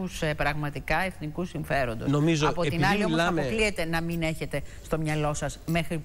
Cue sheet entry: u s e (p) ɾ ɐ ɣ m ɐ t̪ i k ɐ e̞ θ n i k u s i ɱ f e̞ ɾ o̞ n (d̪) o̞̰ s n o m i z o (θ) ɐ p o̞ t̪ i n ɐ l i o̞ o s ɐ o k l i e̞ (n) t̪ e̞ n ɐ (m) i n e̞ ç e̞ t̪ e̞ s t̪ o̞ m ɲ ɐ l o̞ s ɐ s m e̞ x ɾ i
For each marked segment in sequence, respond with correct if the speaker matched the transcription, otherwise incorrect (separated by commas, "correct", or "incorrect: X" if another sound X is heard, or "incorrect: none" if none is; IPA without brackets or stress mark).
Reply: correct, correct, incorrect: none, incorrect: none, correct